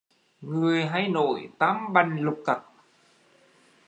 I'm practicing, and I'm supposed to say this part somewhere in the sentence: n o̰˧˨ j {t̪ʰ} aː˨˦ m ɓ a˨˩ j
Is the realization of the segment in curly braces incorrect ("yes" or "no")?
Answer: yes